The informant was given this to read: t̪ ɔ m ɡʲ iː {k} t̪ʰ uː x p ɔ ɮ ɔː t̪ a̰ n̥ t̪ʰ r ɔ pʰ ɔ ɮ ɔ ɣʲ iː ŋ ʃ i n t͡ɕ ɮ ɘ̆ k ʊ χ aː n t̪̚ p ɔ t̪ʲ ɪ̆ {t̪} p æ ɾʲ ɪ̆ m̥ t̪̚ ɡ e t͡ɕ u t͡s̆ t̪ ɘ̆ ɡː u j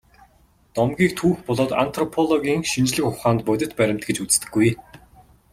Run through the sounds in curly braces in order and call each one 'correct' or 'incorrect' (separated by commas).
correct, correct